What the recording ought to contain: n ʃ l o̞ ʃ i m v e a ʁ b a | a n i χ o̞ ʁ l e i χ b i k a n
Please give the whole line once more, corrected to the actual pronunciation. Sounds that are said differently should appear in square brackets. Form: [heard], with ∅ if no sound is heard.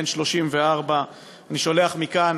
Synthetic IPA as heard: n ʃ l o̞ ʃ i m v e a ʁ b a | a n i [ʃ] o̞ [∅] l e [a] χ [m] i k a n